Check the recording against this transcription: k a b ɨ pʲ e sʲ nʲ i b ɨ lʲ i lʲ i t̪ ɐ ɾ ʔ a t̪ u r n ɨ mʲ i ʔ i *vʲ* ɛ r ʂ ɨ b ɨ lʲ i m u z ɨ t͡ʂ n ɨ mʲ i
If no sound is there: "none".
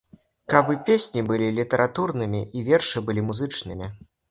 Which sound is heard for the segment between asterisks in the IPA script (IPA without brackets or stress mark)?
vʲ